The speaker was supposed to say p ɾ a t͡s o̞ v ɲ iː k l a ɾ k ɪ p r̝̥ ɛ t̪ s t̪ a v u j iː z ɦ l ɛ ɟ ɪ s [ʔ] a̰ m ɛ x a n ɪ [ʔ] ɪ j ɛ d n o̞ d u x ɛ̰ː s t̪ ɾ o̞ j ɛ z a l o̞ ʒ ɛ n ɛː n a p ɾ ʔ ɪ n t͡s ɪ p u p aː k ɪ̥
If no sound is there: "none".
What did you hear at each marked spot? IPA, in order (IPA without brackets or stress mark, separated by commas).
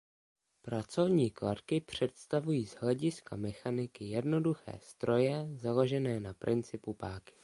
k, k